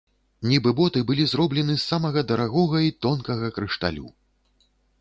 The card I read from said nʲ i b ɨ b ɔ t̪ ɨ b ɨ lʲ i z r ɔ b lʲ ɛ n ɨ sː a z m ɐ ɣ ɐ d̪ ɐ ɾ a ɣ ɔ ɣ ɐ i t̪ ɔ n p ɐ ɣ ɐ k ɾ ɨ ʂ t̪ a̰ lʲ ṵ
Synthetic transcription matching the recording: nʲ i b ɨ b ɔ t̪ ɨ b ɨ lʲ i z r ɔ b lʲ ɛ n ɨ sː a m ɐ ɣ ɐ d̪ ɐ ɾ a ɣ ɔ ɣ ɐ i t̪ ɔ n k ɐ ɣ ɐ k ɾ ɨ ʂ t̪ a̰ lʲ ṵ